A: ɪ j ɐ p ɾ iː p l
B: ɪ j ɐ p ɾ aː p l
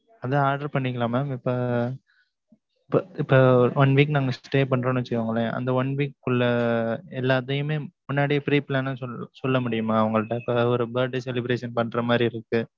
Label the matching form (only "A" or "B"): A